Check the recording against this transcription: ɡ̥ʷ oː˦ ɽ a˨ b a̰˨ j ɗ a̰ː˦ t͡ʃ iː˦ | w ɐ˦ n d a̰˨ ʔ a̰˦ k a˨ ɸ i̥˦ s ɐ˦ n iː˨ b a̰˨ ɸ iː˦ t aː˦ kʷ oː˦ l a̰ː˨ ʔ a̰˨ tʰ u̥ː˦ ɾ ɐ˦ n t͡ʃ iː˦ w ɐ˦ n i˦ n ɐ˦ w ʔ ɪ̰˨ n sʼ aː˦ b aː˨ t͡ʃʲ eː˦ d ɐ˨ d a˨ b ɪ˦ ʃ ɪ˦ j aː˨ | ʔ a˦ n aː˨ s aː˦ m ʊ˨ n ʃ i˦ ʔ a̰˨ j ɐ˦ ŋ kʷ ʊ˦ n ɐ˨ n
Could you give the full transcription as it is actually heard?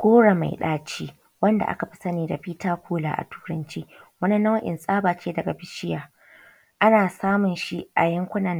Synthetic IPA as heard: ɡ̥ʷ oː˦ ɽ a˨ m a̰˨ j ɗ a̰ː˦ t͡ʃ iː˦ | w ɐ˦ n d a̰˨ ʔ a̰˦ k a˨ ɸ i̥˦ s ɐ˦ n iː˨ d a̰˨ ɸ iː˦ t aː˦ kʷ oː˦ l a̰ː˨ ʔ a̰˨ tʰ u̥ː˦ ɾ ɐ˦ n t͡ʃ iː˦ w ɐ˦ n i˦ n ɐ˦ w ʔ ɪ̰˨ n sʼ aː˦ b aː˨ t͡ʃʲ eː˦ d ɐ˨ ɡ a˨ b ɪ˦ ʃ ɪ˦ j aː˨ | ʔ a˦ n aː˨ s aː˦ m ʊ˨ n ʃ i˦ ʔ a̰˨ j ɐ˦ ŋ kʷ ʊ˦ n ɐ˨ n